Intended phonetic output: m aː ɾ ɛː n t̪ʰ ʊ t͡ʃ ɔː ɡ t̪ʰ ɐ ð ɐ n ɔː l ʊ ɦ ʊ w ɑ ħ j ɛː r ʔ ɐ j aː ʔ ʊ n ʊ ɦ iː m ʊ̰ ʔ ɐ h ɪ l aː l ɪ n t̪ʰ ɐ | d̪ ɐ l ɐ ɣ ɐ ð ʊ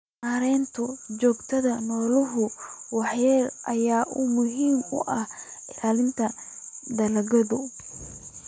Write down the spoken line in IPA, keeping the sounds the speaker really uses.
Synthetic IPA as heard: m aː ɾ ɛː n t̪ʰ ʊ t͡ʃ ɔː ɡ t̪ʰ ɐ ð ɐ n ɔː l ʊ ɦ ʊ w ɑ ħ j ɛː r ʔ ɐ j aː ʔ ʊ m ʊ ɦ iː m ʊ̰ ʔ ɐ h ɪ l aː l ɪ n t̪ʰ ɐ | d̪ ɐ l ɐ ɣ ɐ ð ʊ